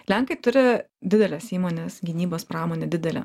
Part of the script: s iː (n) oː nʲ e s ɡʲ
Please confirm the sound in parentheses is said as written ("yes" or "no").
no